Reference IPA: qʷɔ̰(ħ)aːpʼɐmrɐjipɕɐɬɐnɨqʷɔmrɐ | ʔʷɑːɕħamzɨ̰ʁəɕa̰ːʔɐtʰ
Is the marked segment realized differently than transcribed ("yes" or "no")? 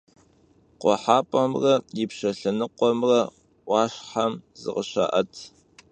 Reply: no